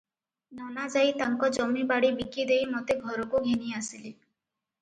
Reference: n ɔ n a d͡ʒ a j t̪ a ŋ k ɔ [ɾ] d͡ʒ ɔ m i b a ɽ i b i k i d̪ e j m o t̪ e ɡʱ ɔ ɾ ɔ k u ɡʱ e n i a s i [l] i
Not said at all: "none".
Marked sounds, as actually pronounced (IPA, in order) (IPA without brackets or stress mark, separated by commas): none, l